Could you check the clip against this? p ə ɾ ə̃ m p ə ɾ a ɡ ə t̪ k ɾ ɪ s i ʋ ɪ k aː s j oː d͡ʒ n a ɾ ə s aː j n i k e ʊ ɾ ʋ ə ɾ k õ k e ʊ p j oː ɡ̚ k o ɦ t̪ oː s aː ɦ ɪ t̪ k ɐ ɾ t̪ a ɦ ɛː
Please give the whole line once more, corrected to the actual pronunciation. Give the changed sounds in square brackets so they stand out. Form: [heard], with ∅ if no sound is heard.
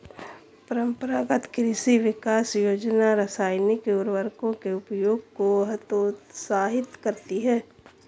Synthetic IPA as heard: p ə ɾ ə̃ m p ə ɾ a ɡ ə t̪ k ɾ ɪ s i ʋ ɪ k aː s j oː d͡ʒ n a ɾ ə s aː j n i k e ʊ ɾ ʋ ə ɾ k õ k e ʊ p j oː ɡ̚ k o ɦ t̪ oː s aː ɦ ɪ t̪ k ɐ ɾ t̪ [i] ɦ ɛː